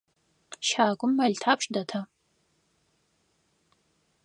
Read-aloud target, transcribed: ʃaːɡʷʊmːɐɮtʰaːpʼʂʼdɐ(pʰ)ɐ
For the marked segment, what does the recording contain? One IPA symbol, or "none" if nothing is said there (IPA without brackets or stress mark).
tʰ